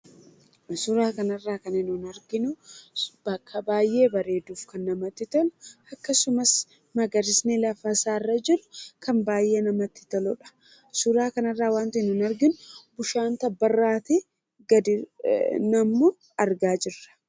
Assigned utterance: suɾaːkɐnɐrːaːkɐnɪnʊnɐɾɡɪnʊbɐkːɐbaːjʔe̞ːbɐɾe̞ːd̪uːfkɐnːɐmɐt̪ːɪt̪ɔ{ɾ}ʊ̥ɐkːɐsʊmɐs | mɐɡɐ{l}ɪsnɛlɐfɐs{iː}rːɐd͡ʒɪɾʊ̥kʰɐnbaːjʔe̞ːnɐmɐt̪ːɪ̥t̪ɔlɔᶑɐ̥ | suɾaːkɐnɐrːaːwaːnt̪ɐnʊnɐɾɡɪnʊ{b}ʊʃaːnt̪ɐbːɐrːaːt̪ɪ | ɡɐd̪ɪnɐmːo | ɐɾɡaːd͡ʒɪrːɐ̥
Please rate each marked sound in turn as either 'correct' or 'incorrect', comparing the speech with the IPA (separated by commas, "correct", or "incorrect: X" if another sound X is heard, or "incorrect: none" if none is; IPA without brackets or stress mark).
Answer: incorrect: l, incorrect: ɾ, incorrect: aː, correct